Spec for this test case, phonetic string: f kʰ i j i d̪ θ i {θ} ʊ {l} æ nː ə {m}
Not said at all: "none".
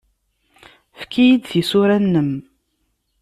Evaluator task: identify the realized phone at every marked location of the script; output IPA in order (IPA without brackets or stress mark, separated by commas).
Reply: s, ɾ, m